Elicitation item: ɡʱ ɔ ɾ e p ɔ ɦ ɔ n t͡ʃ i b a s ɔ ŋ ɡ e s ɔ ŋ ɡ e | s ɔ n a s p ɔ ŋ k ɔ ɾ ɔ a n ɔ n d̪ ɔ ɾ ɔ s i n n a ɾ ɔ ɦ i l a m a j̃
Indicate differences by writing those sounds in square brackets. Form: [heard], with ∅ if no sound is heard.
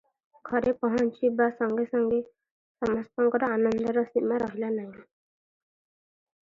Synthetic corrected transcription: ɡʱ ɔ ɾ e p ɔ ɦ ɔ n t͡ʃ i b a s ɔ ŋ ɡ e s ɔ ŋ ɡ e | s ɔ [m] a s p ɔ ŋ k ɔ ɾ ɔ a n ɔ n d̪ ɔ ɾ ɔ s i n [m] a ɾ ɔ ɦ i l a [n] a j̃